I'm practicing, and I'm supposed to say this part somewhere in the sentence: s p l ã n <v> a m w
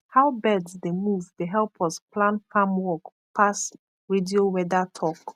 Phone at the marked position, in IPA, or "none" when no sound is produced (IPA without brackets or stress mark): f